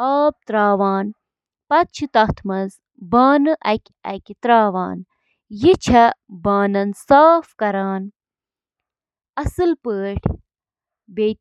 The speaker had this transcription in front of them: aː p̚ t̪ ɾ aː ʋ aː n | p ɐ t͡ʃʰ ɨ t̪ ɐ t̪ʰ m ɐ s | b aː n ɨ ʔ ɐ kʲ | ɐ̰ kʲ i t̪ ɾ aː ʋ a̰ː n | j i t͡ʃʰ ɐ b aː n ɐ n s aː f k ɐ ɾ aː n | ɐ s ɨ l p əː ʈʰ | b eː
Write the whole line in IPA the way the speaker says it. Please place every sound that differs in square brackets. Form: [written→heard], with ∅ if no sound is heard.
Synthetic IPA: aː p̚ t̪ ɾ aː ʋ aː n | p ɐ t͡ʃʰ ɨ t̪ ɐ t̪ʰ m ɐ [s→z] | b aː n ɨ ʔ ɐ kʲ | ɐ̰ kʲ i t̪ ɾ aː ʋ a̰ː n | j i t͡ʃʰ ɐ b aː n ɐ n s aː f k ɐ ɾ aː n | ɐ s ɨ l p əː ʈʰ | b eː